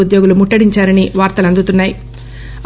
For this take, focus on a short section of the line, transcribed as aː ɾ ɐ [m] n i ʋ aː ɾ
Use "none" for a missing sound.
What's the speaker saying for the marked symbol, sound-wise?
none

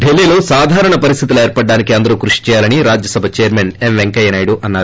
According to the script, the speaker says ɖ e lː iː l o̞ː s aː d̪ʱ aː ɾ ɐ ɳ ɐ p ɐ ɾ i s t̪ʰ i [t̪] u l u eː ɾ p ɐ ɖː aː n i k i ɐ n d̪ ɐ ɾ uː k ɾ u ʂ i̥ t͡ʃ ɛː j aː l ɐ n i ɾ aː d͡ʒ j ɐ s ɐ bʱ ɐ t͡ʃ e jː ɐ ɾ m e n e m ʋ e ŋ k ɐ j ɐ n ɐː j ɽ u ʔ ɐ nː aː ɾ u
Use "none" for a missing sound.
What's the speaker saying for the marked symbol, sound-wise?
t̪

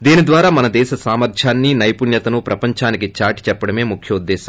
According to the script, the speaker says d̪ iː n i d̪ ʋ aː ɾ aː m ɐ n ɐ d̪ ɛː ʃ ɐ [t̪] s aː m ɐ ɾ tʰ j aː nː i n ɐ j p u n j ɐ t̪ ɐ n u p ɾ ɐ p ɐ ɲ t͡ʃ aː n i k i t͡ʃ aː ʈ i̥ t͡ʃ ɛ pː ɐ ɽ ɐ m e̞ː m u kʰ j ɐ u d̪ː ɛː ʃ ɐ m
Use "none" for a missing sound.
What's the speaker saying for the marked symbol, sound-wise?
none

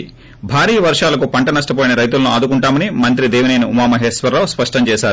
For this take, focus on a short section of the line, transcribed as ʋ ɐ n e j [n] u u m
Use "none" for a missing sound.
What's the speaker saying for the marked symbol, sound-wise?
n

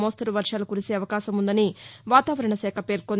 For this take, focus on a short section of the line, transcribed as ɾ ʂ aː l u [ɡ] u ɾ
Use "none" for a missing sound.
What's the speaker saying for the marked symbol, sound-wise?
k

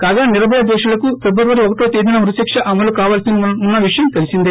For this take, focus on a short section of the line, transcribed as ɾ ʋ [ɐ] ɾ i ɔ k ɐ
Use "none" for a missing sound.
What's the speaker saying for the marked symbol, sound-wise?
ɐ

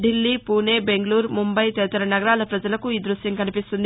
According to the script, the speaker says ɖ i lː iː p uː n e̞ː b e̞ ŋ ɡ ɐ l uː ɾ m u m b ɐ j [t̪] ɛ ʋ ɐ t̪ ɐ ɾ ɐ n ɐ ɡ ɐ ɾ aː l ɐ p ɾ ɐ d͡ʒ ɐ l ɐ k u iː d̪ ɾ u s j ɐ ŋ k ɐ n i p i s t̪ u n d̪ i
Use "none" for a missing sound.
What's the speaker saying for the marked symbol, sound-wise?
t̪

